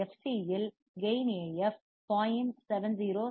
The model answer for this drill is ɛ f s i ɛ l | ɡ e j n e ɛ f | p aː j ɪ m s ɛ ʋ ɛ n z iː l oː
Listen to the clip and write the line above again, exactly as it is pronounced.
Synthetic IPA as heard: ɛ f s i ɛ l | ɡ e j n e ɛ f | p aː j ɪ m s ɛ ʋ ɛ n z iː ɾ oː